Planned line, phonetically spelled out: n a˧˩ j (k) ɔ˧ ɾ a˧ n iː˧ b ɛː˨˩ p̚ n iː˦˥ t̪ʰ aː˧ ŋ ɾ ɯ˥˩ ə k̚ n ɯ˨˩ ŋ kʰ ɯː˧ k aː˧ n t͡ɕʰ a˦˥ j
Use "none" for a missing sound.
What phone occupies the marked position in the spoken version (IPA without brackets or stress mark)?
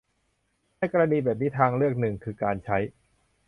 k